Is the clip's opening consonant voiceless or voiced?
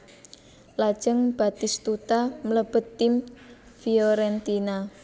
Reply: voiced